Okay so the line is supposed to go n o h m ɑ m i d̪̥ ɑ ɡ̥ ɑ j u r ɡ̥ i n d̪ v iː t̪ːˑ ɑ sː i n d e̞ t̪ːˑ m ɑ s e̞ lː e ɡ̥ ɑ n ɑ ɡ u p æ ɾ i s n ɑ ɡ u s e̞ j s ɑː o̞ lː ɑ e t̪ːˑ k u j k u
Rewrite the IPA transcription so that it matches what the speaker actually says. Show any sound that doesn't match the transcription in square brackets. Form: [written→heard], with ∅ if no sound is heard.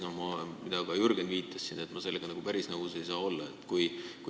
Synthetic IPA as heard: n o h m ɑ m i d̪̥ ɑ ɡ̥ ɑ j u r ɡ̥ [i→e] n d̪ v iː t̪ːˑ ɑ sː i n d e̞ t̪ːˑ m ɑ s e̞ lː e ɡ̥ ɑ n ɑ ɡ u p æ ɾ i s n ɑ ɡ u s e̞ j s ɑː o̞ lː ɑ e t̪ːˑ k u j k u